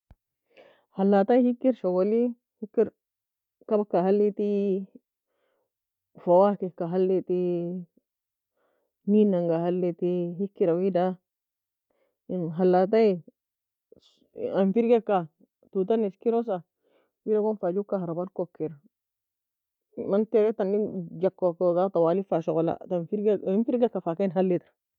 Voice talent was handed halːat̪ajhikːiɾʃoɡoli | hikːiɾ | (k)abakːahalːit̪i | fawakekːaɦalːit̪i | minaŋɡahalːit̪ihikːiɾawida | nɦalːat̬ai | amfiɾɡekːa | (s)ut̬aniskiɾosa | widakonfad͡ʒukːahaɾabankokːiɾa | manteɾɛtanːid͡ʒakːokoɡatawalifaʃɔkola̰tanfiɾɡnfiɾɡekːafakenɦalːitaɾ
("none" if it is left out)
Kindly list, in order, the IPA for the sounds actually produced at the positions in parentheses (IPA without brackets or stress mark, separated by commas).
k, t